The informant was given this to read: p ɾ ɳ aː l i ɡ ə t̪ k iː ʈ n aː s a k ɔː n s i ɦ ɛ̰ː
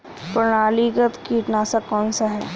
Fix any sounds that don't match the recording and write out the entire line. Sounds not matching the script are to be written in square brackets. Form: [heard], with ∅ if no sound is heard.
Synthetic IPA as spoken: p ɾ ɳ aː l i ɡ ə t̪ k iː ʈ n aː s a k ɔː n s [a] ɦ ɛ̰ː